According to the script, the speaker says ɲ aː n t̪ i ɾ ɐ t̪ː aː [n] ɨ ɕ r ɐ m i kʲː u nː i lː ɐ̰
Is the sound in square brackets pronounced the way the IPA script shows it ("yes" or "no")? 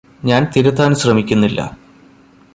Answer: yes